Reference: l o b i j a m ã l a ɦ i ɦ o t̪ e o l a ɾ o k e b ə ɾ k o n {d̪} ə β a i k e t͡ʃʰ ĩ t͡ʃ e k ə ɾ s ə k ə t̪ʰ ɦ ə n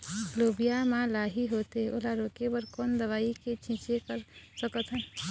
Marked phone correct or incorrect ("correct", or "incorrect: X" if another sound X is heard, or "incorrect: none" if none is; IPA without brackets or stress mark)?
correct